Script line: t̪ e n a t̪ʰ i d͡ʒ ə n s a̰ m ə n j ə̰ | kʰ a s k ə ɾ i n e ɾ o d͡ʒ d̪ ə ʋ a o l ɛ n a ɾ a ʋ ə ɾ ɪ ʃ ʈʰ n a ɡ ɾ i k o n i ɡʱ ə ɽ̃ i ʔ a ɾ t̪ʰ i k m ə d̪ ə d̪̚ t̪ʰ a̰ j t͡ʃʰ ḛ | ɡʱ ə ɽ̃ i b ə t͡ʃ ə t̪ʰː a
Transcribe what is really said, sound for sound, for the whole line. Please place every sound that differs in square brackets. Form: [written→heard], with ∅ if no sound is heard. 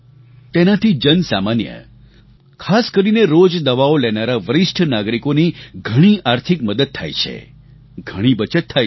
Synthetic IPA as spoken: t̪ e n a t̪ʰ i d͡ʒ ə n s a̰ m [ə→a] n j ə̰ | kʰ a s k ə ɾ i n e ɾ o d͡ʒ d̪ ə ʋ a o l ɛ n a ɾ a ʋ ə ɾ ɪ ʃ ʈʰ n a ɡ ɾ i k o n i ɡʱ ə ɽ̃ i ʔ a ɾ t̪ʰ i k m ə d̪ ə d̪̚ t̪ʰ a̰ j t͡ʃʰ ḛ | ɡʱ ə ɽ̃ i b ə t͡ʃ ə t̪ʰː a